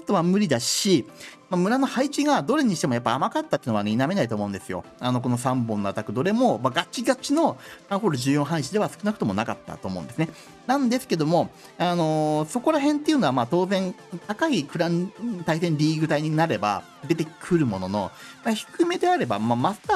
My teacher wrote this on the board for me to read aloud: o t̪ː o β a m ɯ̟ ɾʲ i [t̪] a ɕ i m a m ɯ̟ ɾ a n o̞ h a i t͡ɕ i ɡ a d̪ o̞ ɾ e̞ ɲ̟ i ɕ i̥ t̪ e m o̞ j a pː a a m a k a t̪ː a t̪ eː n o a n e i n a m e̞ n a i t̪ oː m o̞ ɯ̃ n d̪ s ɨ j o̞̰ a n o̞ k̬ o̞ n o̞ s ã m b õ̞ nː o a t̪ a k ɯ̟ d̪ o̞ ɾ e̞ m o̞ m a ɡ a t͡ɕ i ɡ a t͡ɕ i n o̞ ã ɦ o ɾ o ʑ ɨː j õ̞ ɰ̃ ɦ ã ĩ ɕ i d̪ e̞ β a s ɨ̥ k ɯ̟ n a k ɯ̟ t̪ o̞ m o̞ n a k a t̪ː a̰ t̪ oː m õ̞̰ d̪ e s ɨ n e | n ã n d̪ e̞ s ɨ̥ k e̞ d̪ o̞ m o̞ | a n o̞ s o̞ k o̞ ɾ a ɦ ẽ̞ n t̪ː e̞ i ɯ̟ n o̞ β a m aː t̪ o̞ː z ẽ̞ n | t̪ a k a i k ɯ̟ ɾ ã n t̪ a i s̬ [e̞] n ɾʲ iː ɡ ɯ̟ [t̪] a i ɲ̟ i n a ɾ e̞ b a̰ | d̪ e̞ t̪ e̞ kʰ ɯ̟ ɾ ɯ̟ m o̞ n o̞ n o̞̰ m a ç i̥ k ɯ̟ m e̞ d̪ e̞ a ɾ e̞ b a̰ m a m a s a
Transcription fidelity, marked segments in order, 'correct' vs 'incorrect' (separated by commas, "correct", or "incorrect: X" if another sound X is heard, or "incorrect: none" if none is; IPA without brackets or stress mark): incorrect: d̪, incorrect: ẽ̞, correct